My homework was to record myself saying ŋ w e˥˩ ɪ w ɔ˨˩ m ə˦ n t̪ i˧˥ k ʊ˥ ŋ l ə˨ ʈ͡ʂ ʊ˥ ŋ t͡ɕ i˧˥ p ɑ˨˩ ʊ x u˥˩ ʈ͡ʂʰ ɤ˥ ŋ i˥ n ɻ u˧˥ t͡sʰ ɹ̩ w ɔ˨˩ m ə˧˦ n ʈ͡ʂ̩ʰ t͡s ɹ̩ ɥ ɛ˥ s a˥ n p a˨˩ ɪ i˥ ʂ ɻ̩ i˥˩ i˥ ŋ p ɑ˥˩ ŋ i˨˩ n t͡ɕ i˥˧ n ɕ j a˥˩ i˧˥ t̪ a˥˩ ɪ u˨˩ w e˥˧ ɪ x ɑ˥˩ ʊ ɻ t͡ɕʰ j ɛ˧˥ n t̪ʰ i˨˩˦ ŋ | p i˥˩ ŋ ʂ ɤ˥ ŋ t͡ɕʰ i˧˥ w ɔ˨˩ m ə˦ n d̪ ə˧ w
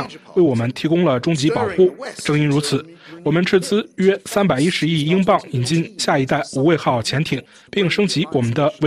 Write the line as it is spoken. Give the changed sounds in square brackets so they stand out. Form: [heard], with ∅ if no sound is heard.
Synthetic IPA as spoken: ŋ w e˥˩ ɪ w ɔ˨˩ m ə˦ n [t̪ʰ] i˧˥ k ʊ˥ ŋ l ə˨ ʈ͡ʂ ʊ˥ ŋ t͡ɕ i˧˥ p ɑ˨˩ ʊ x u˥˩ [ʈ͡ʂ] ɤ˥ ŋ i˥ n ɻ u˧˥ t͡sʰ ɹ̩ w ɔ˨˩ m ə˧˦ n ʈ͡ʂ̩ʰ t͡s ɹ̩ ɥ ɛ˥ s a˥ n p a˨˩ ɪ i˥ ʂ ɻ̩ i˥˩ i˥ ŋ p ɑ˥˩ ŋ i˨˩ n t͡ɕ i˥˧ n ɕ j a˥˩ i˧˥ t̪ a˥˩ ɪ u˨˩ w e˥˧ ɪ x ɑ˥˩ ʊ [∅] t͡ɕʰ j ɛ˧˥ n t̪ʰ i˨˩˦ ŋ | p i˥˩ ŋ ʂ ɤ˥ ŋ [t͡ɕ] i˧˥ w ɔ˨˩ m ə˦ n d̪ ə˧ w